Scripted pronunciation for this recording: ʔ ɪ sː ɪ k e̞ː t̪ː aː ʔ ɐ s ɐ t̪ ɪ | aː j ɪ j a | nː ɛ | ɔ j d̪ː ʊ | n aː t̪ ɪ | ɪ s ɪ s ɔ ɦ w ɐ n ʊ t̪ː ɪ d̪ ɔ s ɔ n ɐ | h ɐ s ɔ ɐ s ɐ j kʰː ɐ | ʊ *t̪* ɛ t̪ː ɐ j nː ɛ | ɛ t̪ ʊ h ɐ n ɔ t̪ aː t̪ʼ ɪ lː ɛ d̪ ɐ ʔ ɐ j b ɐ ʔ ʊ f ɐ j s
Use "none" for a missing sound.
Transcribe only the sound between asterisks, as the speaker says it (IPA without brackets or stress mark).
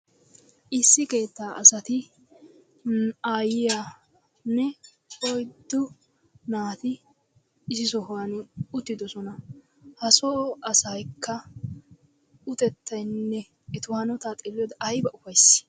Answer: t̪